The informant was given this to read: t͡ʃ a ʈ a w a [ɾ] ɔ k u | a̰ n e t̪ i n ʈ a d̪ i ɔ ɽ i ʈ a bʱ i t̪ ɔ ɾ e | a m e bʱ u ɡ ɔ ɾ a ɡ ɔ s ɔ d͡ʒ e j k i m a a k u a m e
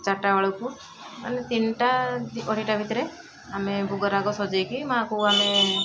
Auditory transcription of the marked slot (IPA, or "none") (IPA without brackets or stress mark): ɭ